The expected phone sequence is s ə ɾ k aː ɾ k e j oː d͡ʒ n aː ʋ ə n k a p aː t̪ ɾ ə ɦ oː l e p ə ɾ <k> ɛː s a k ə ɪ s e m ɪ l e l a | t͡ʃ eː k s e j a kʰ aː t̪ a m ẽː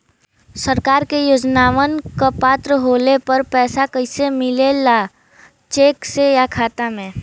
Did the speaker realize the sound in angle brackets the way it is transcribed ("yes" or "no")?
no